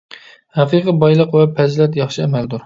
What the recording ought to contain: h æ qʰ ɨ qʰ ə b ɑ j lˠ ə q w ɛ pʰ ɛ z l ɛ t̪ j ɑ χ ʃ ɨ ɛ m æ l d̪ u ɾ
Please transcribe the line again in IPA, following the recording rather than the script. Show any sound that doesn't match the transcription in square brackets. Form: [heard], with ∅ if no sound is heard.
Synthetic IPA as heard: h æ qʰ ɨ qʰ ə b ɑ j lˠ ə q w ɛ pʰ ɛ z l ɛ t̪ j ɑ χ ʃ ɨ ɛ m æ l d̪ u ɾ